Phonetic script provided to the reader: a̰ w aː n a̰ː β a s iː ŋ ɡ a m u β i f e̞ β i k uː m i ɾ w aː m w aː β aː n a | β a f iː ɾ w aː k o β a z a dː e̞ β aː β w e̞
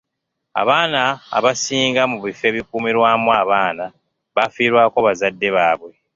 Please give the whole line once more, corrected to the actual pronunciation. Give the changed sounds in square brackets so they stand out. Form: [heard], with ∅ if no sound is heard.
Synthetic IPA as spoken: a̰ [β] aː n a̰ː β a s iː ŋ ɡ a m u β i f e̞ β i k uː m i ɾ w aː m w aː β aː n a | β a f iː ɾ w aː k o β a z a dː e̞ β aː β w e̞